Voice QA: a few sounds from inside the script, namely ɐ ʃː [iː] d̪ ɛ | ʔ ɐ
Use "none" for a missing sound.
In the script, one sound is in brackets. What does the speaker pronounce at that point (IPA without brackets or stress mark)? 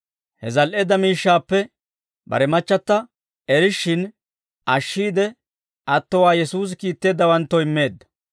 iː